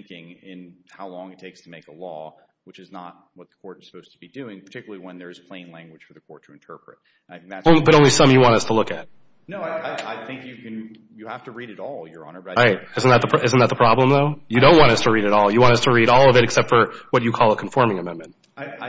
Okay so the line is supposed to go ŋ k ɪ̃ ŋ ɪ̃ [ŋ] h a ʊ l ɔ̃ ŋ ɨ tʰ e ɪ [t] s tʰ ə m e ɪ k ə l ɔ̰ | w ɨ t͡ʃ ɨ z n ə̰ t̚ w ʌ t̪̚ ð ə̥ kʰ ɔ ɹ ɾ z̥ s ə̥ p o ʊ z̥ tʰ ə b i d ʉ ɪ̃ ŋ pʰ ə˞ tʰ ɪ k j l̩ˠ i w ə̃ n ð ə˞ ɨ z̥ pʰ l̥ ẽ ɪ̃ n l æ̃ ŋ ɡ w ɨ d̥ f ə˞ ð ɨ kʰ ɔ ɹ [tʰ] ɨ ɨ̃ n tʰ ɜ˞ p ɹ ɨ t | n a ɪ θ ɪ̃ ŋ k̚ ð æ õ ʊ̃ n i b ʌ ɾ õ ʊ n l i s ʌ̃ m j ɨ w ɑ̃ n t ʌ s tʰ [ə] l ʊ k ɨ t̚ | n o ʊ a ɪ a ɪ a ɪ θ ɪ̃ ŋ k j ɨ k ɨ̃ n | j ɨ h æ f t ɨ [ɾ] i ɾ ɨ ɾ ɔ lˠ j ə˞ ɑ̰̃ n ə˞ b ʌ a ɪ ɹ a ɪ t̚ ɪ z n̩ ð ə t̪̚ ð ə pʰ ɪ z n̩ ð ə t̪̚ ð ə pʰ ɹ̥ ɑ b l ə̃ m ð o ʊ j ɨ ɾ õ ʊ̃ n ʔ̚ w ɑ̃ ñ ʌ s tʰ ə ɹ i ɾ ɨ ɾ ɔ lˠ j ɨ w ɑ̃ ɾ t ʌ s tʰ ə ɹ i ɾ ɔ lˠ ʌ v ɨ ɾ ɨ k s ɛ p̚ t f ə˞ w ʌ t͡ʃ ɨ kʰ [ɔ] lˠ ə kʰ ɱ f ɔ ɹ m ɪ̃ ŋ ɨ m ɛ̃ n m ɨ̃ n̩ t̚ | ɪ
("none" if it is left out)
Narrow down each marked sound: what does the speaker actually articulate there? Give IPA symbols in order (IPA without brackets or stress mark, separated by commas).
n, k, tʰ, ə, ɹ, ɔ